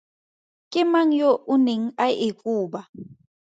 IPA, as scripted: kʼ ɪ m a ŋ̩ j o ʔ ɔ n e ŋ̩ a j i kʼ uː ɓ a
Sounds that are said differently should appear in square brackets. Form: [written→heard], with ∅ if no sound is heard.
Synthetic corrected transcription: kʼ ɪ m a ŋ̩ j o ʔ [ɔ→u] n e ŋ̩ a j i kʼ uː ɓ a